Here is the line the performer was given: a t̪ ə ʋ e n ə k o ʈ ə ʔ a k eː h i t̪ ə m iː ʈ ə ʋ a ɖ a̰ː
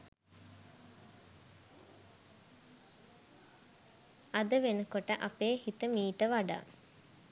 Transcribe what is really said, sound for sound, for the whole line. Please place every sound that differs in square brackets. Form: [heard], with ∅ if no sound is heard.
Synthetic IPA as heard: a [d̪] ə ʋ e n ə k o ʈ ə ʔ a [p] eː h i t̪ ə m iː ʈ ə ʋ a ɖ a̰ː